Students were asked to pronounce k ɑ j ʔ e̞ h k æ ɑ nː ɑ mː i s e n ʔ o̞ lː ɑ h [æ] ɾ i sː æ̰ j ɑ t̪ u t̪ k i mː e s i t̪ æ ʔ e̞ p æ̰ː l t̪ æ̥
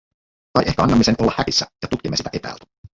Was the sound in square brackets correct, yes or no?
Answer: yes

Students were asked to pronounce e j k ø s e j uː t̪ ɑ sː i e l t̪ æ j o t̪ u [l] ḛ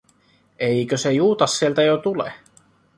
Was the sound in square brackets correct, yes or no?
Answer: yes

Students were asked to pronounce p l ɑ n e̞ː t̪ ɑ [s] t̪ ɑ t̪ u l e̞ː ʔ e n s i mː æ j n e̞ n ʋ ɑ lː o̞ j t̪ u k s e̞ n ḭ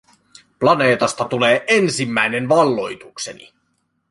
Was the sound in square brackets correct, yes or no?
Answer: yes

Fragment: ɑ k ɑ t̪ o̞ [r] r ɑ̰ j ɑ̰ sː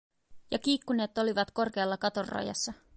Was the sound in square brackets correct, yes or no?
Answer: yes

